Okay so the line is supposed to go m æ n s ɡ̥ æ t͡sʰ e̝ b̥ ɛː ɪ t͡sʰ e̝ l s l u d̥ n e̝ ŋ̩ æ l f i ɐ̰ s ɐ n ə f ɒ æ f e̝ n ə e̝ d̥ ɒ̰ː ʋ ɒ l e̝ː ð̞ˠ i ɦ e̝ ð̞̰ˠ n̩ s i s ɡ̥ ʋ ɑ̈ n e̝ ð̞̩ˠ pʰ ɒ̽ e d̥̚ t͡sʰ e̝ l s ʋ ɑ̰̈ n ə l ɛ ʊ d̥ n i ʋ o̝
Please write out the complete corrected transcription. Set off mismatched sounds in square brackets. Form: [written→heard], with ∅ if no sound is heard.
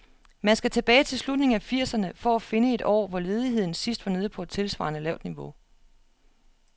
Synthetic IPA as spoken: m æ n s ɡ̥ æ t͡sʰ e̝ b̥ ɛː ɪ t͡sʰ e̝ l s l u d̥ n e̝ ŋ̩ æ [l→∅] f i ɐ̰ s ɐ n ə f ɒ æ f e̝ n ə e̝ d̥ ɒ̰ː ʋ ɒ l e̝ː ð̞ˠ i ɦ e̝ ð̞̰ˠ n̩ s i s [ɡ̥→d̥] ʋ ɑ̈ n e̝ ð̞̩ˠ pʰ ɒ̽ e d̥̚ t͡sʰ e̝ l s ʋ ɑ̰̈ n ə l ɛ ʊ d̥ n i ʋ o̝